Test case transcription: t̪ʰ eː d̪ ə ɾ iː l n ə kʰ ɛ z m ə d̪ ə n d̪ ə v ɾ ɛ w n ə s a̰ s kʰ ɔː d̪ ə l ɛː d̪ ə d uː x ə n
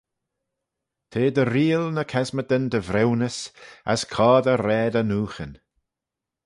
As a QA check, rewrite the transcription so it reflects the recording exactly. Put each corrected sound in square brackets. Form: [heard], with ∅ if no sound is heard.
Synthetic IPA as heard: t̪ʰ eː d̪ ə ɾ iː l n ə kʰ ɛ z m ə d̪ ə n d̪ ə v ɾ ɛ w n ə s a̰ s kʰ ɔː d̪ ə [ɾ] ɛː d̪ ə [n] uː x ə n